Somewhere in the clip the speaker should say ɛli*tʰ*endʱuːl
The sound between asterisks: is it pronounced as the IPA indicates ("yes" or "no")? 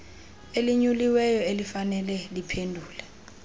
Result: no